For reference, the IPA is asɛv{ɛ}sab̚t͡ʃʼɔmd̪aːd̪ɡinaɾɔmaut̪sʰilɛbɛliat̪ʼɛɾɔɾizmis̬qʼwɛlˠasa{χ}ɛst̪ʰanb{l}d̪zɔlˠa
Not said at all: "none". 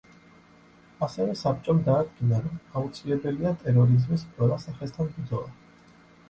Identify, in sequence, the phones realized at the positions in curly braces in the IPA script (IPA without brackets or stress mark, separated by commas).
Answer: ɛ, χ, ɾ